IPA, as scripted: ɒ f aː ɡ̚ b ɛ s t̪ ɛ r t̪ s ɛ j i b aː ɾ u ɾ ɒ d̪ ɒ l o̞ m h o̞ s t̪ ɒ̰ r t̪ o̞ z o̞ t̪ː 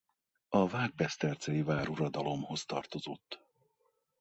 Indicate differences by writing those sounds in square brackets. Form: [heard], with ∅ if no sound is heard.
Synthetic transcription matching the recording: ɒ [v] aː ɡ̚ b ɛ s t̪ ɛ r t̪ s ɛ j i [v] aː ɾ u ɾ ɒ d̪ ɒ l o̞ m h o̞ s t̪ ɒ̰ r t̪ o̞ z o̞ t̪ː